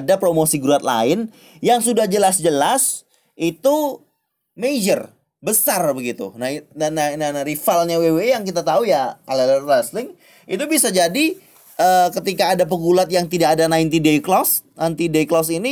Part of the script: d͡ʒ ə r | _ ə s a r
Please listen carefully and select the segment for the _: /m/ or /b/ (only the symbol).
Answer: b